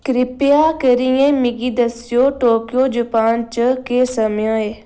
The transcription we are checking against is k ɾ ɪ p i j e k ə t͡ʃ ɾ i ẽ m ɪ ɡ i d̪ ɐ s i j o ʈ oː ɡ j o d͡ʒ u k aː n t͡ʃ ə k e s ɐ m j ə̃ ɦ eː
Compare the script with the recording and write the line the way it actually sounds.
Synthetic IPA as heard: k ɾ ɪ p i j a k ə ɾ i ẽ m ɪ ɡ i d̪ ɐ s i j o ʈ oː k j o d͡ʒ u p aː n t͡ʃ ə k e s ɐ m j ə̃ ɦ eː